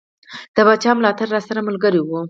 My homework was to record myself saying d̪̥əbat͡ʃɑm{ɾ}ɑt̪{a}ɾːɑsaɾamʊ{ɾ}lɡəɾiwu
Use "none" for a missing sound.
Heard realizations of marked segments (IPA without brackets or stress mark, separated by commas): l, a, none